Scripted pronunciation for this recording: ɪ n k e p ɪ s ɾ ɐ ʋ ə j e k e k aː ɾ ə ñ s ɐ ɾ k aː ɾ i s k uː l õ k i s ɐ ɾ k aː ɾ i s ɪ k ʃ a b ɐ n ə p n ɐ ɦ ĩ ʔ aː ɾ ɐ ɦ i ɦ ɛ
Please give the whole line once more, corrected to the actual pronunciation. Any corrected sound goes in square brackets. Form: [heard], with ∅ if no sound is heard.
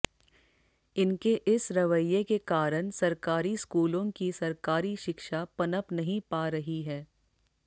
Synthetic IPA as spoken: ɪ n k e [ʔ] ɪ s ɾ ɐ ʋ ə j e k e k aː ɾ ə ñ s ɐ ɾ k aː ɾ i s k uː l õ k i s ɐ ɾ k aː ɾ i [ʃ] ɪ k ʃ a [p] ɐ n ə p n ɐ ɦ ĩ [p] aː ɾ ɐ ɦ i ɦ [ɛː]